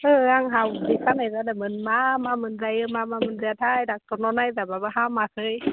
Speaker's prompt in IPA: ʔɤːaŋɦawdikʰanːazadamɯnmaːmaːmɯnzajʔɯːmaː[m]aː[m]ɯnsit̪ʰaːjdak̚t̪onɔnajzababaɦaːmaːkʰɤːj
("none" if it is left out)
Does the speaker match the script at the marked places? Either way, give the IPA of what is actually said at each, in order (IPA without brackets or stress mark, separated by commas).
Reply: m, m